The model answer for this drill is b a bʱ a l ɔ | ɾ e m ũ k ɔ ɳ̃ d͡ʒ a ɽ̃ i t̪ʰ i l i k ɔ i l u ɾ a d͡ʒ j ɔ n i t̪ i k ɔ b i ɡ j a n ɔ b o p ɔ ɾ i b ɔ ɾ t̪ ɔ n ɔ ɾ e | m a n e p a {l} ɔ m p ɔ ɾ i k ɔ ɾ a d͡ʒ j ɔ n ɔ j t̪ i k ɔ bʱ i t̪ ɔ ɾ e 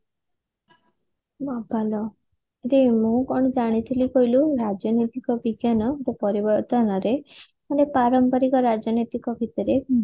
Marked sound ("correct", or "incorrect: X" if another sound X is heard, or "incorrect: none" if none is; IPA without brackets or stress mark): incorrect: ɾ